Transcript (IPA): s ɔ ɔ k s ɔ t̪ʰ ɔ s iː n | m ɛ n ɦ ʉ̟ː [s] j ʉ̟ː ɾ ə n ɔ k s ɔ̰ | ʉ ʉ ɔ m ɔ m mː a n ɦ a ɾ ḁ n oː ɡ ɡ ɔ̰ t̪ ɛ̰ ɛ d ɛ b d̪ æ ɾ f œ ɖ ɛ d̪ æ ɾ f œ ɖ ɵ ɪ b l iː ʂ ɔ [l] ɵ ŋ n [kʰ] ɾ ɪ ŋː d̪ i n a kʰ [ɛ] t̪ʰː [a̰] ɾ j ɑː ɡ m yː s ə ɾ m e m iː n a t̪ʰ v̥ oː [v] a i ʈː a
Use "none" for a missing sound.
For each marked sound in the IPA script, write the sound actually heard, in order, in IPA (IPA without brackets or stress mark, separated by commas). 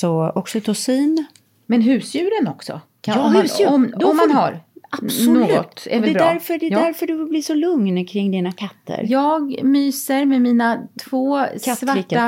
s, l, kʰ, a, ə̰, v